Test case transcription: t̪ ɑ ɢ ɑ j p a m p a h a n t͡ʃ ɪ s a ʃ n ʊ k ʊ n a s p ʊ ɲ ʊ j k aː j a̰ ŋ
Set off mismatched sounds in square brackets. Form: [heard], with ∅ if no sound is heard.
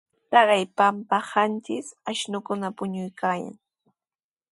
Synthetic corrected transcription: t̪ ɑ ɢ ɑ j p a m p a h a n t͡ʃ ɪ s a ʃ n ʊ k ʊ n a [∅] p ʊ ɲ ʊ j k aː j a̰ ŋ